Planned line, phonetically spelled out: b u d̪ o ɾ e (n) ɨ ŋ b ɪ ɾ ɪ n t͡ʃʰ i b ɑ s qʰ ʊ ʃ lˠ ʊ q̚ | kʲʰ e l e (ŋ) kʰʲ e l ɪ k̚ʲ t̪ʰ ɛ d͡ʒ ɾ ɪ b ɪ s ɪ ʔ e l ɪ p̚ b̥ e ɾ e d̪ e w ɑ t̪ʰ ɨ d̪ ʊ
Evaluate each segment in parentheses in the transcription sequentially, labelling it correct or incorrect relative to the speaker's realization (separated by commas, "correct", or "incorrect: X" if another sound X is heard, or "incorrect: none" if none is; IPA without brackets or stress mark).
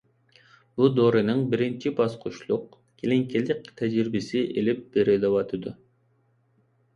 correct, correct